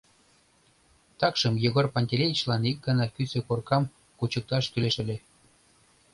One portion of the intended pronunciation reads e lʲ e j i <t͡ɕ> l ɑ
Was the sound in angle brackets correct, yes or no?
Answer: yes